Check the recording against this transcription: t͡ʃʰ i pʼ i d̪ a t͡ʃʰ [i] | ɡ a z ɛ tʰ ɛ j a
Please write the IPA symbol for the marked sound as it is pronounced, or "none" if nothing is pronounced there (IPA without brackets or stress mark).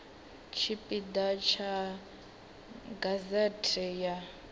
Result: a